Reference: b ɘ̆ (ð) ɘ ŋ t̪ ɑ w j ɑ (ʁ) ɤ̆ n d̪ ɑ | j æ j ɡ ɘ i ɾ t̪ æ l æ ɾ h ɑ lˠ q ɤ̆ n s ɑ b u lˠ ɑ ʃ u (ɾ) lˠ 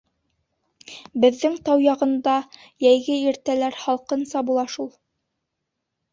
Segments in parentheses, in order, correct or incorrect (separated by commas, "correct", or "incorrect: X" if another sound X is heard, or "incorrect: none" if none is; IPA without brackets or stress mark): incorrect: ðː, correct, incorrect: none